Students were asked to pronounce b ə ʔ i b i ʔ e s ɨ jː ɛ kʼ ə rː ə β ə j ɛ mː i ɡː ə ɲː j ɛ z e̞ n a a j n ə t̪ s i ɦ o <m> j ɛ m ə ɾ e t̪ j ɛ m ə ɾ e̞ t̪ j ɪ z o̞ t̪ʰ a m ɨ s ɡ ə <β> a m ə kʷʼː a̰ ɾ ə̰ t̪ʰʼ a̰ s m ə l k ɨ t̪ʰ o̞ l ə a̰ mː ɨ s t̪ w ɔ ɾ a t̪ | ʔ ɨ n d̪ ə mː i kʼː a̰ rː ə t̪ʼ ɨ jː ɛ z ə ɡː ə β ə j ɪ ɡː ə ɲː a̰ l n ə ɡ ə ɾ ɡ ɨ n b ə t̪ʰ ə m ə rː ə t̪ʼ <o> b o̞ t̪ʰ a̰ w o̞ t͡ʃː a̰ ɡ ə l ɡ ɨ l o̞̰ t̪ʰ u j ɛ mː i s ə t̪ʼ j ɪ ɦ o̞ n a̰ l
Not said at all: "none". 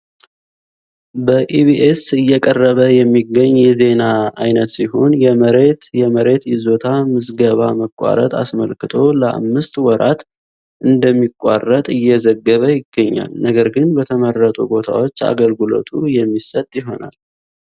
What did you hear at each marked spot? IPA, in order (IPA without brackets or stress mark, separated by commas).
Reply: n, β, u